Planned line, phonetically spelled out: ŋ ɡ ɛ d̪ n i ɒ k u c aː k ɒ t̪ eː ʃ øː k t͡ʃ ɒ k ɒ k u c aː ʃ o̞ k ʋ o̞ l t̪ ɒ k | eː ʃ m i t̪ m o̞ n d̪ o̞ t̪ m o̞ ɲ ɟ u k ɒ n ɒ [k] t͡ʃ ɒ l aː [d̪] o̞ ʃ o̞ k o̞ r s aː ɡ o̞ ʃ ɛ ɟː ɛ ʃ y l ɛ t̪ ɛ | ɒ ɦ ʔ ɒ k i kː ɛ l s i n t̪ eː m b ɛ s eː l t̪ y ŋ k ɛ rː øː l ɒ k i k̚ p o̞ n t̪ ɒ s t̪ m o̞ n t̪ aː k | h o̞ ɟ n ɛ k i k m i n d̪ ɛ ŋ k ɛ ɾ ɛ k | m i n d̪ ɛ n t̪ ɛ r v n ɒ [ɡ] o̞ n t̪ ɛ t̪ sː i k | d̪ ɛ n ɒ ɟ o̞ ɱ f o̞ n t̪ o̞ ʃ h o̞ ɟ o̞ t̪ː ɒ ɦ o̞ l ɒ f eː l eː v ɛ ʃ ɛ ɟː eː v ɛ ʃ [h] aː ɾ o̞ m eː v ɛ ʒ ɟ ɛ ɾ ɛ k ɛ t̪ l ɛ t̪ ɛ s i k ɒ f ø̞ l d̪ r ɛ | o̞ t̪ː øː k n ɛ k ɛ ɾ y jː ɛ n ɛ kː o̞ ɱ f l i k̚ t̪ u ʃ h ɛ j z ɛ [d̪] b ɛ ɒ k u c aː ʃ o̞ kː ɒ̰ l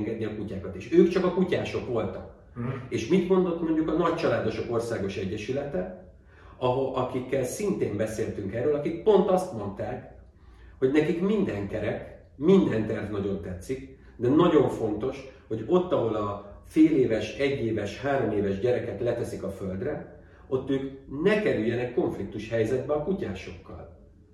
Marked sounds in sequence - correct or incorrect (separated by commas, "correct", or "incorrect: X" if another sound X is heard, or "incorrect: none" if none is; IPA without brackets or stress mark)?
incorrect: c, correct, incorrect: ɟ, correct, correct